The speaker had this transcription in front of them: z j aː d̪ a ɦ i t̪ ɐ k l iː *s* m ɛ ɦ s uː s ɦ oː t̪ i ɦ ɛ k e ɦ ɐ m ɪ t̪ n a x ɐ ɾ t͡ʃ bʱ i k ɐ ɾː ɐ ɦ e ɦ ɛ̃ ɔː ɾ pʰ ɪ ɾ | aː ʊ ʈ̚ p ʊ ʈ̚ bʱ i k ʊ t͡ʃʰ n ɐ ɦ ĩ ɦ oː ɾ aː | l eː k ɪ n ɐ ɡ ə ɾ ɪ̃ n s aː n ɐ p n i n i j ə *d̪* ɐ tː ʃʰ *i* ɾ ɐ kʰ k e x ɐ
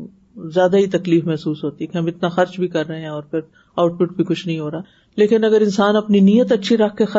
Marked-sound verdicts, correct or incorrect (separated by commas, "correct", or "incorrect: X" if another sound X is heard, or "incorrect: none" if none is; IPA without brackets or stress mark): incorrect: f, incorrect: t̪, correct